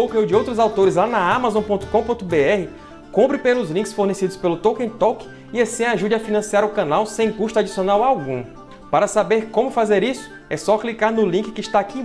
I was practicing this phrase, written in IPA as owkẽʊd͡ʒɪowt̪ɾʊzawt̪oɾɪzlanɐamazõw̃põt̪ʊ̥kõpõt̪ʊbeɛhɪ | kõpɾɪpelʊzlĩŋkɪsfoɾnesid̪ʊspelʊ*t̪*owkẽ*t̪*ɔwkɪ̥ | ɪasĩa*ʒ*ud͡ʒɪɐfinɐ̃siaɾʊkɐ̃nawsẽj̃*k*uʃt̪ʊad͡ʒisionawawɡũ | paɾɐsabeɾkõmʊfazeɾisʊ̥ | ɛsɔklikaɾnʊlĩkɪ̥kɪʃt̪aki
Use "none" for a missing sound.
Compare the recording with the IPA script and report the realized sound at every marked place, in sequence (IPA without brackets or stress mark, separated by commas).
t̪, t̪, ʒ, k